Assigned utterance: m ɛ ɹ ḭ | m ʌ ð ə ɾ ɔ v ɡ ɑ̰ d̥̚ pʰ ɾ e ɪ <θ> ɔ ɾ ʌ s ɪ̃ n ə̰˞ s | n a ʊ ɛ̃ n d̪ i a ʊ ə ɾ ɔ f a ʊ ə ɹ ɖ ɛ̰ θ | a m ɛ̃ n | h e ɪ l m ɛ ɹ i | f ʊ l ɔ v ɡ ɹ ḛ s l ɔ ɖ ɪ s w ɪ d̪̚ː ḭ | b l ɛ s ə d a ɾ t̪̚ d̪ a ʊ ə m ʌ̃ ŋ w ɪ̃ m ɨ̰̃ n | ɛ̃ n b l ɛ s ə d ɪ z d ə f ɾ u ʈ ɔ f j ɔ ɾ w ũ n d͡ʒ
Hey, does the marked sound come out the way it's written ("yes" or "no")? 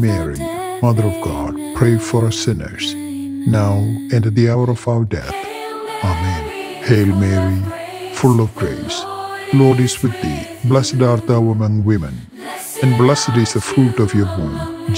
no